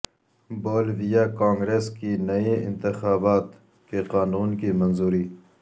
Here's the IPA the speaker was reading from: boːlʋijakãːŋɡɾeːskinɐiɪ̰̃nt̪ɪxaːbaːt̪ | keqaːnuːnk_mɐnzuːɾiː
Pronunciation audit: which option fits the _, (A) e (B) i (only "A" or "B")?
B